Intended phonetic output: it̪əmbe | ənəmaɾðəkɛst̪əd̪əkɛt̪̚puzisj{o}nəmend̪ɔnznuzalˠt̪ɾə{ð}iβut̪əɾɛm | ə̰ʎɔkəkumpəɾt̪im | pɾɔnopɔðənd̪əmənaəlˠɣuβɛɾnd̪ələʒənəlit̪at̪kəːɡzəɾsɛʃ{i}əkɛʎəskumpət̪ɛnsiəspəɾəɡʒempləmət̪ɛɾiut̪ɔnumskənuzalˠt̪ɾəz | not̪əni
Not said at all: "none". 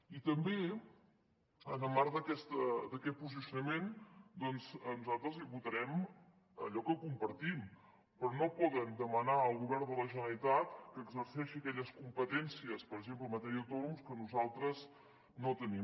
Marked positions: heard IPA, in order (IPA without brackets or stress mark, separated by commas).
u, z, i